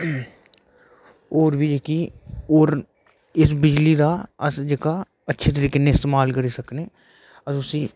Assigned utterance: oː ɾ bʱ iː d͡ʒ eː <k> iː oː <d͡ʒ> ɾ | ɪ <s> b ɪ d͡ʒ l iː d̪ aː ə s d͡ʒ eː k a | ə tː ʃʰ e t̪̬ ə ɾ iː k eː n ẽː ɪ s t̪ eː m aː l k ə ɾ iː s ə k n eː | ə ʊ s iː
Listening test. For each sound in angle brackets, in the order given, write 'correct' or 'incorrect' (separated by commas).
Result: correct, incorrect, correct